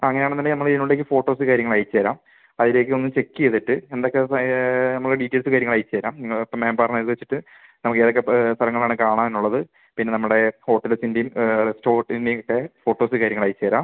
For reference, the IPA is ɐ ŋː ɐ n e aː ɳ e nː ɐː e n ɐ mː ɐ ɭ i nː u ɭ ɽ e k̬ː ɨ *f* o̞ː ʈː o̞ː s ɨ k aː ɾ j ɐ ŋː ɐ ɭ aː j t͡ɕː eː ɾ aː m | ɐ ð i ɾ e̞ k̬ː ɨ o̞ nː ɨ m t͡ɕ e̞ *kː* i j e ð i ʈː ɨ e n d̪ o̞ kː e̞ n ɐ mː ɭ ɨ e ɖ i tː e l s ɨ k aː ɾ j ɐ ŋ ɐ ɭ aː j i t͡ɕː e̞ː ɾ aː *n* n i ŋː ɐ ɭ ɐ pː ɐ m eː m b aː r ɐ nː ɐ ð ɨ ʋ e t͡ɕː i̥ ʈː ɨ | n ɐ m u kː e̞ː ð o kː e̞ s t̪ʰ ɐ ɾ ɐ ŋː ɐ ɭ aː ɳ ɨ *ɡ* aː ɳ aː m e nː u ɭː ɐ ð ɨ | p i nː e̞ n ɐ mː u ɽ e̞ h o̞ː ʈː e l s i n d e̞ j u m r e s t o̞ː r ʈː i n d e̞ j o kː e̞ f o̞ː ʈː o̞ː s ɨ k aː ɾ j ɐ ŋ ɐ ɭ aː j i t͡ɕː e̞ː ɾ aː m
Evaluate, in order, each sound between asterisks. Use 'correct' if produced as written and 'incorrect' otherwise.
correct, correct, incorrect: m, incorrect: k

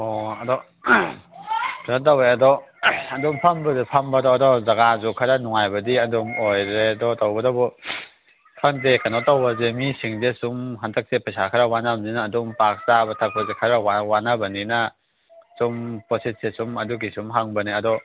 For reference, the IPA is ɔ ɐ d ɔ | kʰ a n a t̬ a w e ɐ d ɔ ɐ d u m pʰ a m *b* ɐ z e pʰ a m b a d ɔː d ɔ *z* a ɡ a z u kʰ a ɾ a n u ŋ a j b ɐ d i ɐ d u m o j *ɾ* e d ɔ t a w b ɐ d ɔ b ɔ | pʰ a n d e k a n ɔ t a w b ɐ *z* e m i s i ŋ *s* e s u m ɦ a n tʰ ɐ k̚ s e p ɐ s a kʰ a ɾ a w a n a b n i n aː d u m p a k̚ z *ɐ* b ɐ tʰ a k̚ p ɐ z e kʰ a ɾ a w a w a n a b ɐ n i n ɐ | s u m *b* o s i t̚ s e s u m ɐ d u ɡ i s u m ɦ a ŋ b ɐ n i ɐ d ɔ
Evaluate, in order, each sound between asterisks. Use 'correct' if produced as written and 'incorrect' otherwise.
correct, correct, correct, correct, incorrect: z, incorrect: a, incorrect: p

